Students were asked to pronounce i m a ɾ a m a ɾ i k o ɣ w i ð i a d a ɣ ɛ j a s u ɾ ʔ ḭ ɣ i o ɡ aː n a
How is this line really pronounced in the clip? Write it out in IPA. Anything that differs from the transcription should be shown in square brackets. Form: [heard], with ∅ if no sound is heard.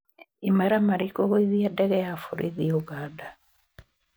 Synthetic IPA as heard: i m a ɾ a m a ɾ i k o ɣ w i ð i a d [ɛ] ɣ ɛ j a [f] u ɾ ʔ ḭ [ð] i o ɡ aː [d] a